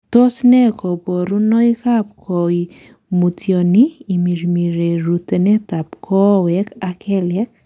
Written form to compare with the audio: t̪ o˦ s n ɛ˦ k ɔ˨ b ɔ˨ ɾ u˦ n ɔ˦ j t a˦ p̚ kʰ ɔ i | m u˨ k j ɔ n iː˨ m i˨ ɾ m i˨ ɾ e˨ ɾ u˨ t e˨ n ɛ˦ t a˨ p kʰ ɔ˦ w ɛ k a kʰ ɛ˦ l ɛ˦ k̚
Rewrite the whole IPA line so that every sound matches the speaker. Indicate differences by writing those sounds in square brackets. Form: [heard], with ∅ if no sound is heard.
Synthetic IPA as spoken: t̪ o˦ s n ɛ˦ k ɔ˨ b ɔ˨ ɾ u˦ n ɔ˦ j [k] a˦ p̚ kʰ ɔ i | m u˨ [t] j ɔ n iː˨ m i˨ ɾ m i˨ ɾ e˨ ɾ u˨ t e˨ n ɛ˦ t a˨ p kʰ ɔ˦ w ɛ k a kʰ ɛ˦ l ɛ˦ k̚